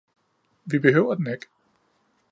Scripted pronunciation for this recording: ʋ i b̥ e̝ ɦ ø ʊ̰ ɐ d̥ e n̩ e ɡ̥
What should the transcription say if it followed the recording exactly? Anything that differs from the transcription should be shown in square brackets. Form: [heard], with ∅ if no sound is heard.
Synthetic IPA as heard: ʋ i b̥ e̝ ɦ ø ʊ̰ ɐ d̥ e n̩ e ɡ̥